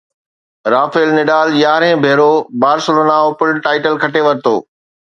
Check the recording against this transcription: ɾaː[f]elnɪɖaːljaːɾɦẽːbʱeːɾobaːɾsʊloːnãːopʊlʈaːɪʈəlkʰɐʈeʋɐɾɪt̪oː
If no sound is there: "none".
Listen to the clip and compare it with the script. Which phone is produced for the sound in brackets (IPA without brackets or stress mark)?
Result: f